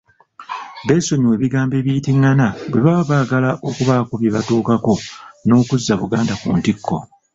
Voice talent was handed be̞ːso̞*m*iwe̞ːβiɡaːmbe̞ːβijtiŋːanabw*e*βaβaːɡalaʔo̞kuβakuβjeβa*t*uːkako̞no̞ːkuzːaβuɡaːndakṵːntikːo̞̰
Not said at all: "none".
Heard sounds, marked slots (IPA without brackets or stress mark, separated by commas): ɲ, e, t